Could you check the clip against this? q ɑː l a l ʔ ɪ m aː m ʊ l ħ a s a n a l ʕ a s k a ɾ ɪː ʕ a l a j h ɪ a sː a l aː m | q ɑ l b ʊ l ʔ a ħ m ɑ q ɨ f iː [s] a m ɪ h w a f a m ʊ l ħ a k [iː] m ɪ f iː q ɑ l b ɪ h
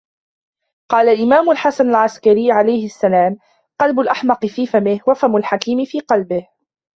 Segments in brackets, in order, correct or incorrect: incorrect: f, correct

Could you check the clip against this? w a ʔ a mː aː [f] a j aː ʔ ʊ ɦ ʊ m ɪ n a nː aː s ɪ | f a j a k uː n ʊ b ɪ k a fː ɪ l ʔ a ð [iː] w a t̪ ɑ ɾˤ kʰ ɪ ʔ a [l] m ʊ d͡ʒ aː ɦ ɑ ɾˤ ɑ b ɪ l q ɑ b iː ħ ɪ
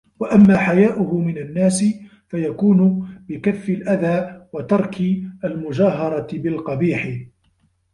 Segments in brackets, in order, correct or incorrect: incorrect: ħ, incorrect: aː, correct

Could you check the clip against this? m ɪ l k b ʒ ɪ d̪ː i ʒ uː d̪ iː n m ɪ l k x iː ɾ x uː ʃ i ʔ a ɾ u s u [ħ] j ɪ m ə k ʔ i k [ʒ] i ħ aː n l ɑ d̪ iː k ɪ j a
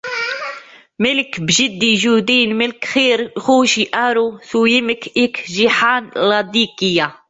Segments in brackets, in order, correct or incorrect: incorrect: none, correct

